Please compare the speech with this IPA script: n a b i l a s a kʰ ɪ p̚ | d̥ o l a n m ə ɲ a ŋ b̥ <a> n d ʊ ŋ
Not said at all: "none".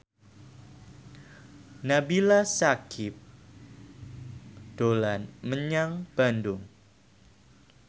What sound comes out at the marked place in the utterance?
a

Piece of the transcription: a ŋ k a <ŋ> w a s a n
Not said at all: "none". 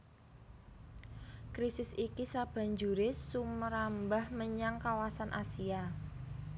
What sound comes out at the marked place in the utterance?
none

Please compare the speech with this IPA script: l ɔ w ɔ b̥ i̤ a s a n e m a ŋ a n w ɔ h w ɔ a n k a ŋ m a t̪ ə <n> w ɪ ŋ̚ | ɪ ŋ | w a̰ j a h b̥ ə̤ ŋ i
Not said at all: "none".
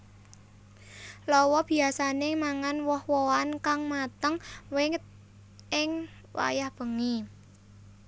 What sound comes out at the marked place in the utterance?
ŋ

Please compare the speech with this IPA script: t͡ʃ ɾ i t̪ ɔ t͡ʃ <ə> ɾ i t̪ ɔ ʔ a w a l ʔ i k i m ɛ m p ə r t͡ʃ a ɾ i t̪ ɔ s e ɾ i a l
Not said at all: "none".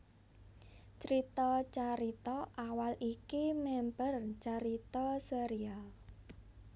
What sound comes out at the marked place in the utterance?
a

